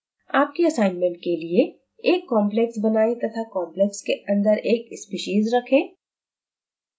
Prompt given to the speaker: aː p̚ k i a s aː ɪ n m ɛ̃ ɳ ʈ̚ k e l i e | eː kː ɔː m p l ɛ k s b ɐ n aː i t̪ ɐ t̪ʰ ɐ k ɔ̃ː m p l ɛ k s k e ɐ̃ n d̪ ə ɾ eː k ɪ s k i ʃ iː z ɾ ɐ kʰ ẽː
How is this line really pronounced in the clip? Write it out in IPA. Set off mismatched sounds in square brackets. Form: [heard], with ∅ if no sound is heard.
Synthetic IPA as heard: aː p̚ k i [ɐ] s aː ɪ n m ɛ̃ ɳ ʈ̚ k e l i e | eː kː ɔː m p l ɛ k s b ɐ n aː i t̪ ɐ t̪ʰ [a] k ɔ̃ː m p l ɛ k s k e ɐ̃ n d̪ ə ɾ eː k ɪ s [p] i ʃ iː z ɾ ɐ kʰ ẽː